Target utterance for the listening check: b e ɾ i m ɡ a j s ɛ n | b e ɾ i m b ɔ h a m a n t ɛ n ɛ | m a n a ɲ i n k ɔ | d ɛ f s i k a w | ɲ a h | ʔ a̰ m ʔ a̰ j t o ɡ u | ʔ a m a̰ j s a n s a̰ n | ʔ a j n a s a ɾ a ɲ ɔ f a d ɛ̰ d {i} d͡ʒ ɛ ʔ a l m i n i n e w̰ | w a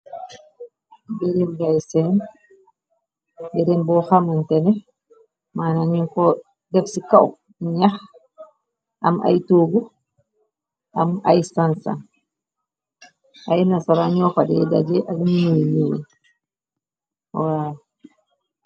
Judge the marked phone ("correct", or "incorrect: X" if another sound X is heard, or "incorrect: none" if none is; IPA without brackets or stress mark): incorrect: a